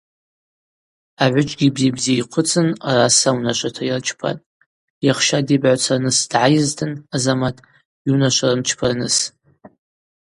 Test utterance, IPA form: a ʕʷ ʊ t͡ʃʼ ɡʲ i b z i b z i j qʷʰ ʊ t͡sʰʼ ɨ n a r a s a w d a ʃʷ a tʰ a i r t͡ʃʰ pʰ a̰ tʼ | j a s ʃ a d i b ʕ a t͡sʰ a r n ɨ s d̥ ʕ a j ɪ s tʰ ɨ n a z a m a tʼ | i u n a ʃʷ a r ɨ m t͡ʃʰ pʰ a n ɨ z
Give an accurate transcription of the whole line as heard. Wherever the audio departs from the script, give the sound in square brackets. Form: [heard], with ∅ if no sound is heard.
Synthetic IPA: a ʕʷ ʊ t͡ʃʼ ɡʲ i b z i b z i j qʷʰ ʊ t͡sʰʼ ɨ n a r a s a w [n] a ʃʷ a tʰ a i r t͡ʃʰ pʰ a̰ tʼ | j a [χ] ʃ a d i b ʕ a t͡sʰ a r n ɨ s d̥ ʕ a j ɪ [z] tʰ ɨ n a z a m a tʼ | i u n a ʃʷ a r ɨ m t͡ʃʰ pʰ a n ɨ [s]